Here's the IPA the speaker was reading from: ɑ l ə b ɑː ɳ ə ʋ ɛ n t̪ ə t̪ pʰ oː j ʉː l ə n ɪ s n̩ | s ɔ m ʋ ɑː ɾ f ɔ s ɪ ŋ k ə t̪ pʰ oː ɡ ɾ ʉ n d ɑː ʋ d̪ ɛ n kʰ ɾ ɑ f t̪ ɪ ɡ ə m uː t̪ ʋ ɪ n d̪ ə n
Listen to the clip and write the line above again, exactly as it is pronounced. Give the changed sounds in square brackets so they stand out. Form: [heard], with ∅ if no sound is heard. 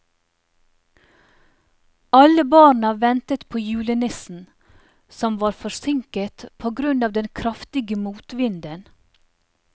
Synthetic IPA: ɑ l ə b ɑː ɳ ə ʋ ɛ n t̪ ə t̪ pʰ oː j ʉː l ə n ɪ s n̩ | s ɔ m ʋ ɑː ɾ f ɔ s ɪ ŋ k ə t̪ pʰ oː ɡ ɾ ʉ n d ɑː ʋ d̪ ɛ n kʰ ɾ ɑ f t̪ ɪ ɡ ə m uː t̪ ʋ ɪ n d̪ ə n